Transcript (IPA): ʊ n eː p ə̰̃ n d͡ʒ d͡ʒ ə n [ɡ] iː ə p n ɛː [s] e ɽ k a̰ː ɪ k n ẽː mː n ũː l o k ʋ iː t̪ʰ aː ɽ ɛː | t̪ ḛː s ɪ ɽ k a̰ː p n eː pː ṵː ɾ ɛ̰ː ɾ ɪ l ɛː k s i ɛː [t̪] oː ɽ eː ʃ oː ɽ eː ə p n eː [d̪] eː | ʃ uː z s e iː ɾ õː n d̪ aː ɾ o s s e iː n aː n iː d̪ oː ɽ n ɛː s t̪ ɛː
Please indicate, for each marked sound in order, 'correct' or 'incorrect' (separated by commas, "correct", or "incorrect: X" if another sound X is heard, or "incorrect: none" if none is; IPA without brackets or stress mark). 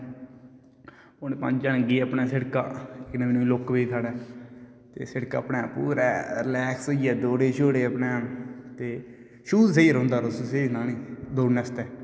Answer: correct, correct, incorrect: d̪, incorrect: t̪